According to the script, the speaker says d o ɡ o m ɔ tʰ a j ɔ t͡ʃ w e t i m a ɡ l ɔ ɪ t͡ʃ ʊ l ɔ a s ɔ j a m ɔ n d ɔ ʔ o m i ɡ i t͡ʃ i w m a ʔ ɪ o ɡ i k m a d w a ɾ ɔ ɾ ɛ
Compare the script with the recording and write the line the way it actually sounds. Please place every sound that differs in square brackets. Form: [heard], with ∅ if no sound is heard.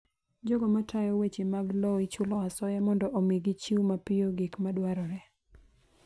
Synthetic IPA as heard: [d͡ʒ] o ɡ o m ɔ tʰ a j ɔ [∅] w e [t͡ʃ] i m a ɡ l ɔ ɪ t͡ʃ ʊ l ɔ a s ɔ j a m ɔ n d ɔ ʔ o m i ɡ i t͡ʃ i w m a [p] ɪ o ɡ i k m a d w a ɾ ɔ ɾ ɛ